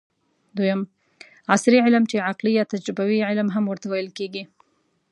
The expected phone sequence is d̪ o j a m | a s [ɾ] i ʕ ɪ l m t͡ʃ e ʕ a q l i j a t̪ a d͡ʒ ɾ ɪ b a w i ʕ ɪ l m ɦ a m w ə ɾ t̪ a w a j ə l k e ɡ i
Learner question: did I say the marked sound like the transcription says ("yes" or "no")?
yes